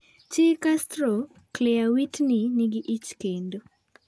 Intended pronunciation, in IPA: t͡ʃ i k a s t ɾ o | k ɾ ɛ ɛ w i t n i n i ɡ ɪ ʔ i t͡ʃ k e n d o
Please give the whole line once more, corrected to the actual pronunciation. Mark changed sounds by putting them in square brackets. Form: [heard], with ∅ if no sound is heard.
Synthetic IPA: t͡ʃ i k a s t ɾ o | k [l] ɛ [a] w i t n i n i ɡ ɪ ʔ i t͡ʃ k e n d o